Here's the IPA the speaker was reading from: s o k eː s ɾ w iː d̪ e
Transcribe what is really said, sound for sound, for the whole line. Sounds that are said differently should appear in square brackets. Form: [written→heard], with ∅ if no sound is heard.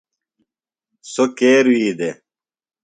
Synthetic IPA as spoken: s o k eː [s→∅] ɾ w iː d̪ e